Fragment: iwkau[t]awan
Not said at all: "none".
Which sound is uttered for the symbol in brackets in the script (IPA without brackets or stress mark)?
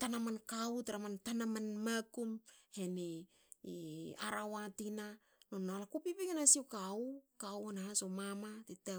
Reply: k